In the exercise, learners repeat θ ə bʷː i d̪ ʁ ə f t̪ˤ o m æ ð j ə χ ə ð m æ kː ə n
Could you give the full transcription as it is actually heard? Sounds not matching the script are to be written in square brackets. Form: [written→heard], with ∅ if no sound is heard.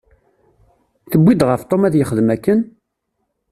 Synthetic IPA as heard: θ ə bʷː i d̪ ʁ ə f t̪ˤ o m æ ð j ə χ ə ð m æ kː ə n

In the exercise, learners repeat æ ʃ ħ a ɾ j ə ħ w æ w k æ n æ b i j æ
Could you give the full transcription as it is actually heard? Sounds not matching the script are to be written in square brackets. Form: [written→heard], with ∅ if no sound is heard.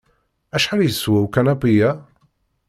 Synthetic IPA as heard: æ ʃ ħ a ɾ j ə [ħ→s] w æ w k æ n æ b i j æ

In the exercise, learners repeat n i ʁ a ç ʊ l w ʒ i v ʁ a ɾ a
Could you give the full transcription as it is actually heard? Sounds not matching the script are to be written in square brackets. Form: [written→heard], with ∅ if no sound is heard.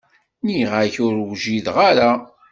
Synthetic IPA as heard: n i ʁ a ç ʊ [l→ɾ] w ʒ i [v→ð] ʁ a ɾ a

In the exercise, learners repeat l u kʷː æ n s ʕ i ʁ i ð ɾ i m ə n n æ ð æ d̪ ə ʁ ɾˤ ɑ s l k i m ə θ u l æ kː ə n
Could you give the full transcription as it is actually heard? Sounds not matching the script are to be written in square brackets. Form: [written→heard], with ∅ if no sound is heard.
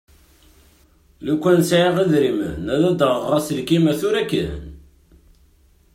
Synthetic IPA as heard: l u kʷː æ n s ʕ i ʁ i ð ɾ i m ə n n æ ð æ d̪ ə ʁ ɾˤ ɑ s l k i m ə θ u [l→ɾ] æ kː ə n

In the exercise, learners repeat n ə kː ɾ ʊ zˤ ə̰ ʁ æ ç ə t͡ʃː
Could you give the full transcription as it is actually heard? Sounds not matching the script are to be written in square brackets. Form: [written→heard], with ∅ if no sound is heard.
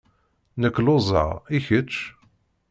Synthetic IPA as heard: n ə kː [ɾ→l] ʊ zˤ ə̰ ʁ [æ→i] ç ə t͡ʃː

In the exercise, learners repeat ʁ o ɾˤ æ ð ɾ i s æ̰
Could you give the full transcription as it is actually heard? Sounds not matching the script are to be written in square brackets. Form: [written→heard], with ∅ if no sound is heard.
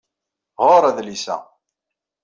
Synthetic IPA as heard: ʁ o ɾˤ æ ð [ɾ→l] i s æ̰

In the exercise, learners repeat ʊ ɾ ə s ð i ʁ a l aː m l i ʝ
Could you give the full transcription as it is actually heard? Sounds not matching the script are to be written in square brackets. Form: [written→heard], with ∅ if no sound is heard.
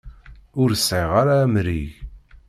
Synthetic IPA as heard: ʊ ɾ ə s [ð→ʕ] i ʁ a [l→ɾ] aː m [l→ɾ] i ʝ

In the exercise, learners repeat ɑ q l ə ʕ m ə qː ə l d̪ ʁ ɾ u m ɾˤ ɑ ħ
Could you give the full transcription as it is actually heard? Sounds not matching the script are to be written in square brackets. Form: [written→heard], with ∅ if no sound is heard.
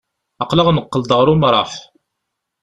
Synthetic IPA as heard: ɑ q l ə [ʕ→ʁ] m ə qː ə l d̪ ʁ ɾ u m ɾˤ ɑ ħ

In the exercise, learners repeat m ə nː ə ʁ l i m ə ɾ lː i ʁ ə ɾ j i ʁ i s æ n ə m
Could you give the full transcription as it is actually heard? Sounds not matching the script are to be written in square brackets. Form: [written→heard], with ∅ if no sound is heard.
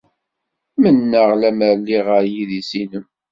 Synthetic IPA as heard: m ə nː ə ʁ l [i→æ] m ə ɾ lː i ʁ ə ɾ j i [ʁ→ð] i s [æ→i] n ə m

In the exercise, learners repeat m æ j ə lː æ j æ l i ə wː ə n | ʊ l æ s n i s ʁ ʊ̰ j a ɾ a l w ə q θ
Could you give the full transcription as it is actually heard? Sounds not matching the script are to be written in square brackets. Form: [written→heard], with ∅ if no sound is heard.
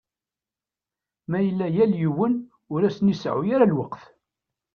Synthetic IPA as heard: m æ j ə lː æ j æ l [i→j] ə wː ə n | ʊ [l→ɾ] æ s n i s [ʁ→ʕ] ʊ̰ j a ɾ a l w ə q θ

